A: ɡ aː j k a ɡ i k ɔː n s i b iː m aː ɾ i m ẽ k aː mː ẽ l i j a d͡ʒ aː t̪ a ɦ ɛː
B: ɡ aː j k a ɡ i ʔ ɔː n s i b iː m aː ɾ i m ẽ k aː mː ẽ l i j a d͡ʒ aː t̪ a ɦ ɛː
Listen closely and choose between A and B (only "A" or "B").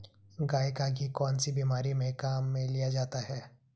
A